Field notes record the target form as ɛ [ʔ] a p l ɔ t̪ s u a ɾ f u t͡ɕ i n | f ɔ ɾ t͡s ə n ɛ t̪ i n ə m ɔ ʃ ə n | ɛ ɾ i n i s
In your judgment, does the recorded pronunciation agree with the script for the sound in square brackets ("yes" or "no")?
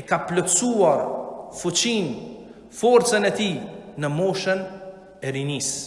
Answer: no